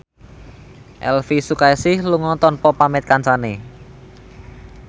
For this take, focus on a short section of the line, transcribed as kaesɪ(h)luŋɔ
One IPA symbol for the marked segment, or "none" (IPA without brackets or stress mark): h